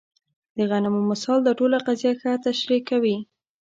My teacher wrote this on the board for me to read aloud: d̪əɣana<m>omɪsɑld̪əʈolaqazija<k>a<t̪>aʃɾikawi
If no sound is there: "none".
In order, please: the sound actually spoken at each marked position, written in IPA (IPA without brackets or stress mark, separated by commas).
m, x, t̪